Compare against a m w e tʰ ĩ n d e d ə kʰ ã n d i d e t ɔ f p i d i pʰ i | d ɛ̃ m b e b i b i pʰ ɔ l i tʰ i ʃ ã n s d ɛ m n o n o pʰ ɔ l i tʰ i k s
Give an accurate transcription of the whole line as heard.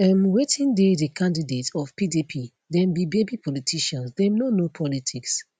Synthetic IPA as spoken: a m w e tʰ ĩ n d e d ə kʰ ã n d i d e t ɔ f p i d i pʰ i | d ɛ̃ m b i b e b i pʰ ɔ l i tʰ i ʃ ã n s d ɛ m n o n o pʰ ɔ l i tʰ i k s